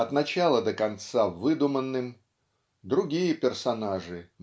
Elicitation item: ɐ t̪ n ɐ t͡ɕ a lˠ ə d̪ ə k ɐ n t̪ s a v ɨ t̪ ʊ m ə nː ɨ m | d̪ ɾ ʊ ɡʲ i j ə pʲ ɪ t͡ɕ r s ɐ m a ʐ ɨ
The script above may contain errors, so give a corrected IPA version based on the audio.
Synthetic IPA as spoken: ɐ t̪ n ɐ t͡ɕ a lˠ ə d̪ ə k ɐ n t̪ s a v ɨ d̪ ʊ m ə nː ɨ m | d̪ ɾ ʊ ɡʲ i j ə pʲ ɪ r s ɐ n a ʐ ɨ